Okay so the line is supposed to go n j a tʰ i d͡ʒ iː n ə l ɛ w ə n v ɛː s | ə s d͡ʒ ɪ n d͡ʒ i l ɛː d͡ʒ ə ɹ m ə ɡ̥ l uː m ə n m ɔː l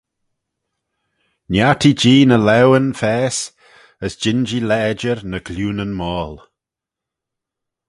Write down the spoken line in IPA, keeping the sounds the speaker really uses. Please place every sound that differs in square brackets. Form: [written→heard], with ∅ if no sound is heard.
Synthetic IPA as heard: n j a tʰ i d͡ʒ iː n ə l ɛ w ə n [v→f] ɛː s | ə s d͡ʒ ɪ n d͡ʒ i l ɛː d͡ʒ ə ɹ [m→n] ə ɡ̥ l uː [m→n] ə n m ɔː l